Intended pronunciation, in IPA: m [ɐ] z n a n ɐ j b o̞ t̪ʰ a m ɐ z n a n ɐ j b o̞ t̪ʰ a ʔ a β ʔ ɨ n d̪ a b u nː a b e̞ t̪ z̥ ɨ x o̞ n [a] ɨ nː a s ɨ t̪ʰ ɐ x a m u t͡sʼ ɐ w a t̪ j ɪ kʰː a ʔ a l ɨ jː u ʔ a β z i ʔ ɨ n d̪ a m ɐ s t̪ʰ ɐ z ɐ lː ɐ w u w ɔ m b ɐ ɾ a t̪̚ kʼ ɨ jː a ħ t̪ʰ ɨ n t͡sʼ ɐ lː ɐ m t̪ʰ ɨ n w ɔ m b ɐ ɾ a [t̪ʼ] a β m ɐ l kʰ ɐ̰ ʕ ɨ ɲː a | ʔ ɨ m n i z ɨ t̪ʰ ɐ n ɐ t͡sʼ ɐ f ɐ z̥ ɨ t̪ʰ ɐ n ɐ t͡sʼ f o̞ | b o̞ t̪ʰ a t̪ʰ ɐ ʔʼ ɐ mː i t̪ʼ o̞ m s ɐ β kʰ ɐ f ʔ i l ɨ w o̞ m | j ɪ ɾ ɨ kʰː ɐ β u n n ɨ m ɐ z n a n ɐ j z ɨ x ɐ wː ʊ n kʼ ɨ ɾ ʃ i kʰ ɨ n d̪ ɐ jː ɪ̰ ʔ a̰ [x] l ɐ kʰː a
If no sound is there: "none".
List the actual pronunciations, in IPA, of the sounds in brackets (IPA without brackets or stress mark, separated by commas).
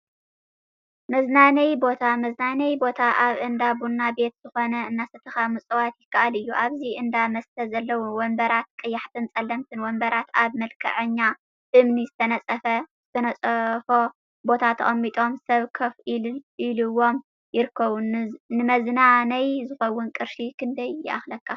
ɐ, ɐ, t̪, x